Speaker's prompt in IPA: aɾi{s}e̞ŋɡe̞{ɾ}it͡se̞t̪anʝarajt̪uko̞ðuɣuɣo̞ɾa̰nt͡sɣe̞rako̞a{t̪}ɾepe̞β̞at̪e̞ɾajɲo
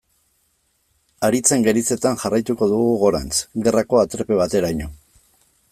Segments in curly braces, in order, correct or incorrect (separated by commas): incorrect, correct, correct